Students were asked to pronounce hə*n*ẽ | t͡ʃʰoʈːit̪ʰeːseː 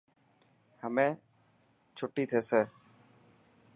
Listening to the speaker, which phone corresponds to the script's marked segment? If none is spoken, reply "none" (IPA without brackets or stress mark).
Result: m